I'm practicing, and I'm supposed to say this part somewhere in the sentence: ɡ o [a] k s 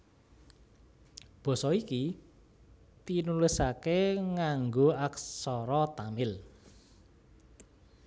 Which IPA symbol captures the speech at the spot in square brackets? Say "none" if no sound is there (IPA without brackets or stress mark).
a